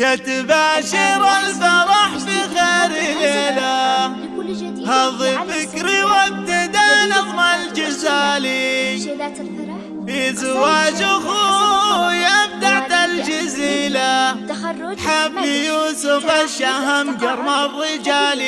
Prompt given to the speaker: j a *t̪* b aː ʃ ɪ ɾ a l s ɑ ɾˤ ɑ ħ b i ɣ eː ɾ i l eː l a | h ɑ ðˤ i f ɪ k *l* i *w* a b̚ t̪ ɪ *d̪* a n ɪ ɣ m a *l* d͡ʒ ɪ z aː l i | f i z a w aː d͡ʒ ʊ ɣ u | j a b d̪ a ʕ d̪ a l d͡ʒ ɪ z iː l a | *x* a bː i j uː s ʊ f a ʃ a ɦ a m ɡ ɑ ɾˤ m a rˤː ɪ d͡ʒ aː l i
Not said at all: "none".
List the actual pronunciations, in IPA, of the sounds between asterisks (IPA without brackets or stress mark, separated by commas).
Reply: t̪, ɾ, w, d̪, l, ħ